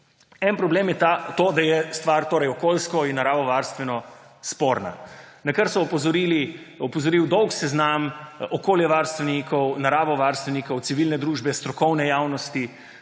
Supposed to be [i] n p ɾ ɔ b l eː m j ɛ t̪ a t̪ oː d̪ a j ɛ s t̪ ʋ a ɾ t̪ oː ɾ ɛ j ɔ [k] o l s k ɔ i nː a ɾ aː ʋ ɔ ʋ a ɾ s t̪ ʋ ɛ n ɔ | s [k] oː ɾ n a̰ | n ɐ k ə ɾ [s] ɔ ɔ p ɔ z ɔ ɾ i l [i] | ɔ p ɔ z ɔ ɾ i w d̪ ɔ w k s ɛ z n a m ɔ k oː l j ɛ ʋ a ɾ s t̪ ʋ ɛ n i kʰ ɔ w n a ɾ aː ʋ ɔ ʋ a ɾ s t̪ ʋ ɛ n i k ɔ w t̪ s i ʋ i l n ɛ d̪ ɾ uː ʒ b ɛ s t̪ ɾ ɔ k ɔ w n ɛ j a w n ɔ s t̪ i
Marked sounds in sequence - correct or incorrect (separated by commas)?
incorrect, correct, incorrect, correct, correct